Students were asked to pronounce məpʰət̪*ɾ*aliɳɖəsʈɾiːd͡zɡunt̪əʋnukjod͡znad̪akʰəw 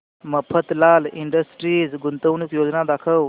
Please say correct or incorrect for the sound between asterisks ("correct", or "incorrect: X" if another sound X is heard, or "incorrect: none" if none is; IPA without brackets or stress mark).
incorrect: l